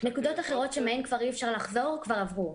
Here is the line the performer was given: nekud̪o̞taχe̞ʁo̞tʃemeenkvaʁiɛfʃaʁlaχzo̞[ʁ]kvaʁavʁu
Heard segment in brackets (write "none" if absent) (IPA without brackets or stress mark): ʁ